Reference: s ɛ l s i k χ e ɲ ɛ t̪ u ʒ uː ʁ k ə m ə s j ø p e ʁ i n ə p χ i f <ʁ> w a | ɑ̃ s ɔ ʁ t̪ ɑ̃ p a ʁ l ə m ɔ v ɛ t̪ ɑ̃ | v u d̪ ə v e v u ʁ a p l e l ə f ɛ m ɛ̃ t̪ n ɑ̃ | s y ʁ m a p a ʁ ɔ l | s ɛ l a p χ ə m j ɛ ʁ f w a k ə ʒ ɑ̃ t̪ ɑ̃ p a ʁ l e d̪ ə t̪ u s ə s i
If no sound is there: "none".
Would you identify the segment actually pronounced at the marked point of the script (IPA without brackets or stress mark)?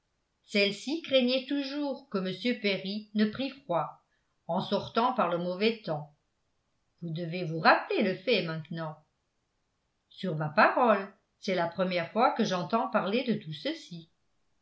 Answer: χ